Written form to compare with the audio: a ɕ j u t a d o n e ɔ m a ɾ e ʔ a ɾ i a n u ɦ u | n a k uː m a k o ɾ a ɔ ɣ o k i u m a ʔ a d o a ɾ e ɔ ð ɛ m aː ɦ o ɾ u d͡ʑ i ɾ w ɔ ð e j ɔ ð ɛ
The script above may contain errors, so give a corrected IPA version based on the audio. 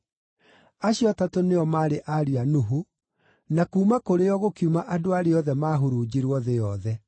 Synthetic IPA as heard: a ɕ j ɔ t a t o n e ɔ m a ɾ e ʔ a ɾ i a n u ɦ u | n a k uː m a k o ɾ e ɔ ɣ o k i u m a ʔ a d o a ɾ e ɔ ð ɛ m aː ɦ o ɾ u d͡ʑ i ɾ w ɔ ð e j ɔ ð ɛ